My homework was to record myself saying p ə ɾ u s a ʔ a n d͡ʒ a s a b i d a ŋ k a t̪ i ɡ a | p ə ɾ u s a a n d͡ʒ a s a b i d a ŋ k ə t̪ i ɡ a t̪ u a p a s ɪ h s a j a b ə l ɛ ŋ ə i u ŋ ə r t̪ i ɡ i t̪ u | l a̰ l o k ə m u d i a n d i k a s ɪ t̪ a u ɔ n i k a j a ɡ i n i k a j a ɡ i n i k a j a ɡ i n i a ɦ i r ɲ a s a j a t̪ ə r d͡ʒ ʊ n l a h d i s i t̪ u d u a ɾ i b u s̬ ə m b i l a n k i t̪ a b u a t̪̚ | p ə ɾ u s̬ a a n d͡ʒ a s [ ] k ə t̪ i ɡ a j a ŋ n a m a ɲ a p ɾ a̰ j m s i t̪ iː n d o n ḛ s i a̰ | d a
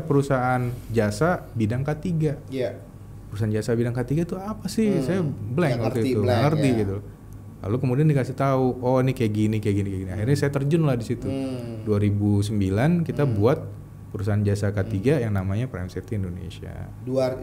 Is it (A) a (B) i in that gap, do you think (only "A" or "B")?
A